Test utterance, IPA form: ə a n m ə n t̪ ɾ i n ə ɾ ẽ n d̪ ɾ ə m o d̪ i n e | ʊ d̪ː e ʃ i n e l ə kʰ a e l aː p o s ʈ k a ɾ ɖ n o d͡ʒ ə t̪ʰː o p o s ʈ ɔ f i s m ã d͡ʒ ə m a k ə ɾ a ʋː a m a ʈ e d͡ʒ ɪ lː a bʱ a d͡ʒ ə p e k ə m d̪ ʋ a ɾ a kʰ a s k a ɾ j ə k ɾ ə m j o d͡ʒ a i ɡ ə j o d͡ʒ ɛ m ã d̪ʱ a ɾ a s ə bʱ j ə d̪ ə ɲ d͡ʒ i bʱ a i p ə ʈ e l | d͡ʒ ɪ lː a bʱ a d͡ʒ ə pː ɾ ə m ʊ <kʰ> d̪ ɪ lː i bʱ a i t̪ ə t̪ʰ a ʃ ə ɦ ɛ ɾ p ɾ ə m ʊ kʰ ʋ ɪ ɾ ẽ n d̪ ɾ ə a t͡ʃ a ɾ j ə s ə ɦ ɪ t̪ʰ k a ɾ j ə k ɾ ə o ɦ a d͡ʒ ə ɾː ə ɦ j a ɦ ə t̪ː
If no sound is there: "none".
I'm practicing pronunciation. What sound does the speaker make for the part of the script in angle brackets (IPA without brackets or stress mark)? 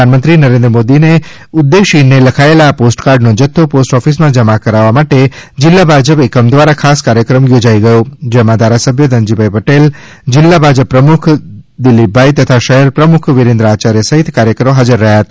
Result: kʰ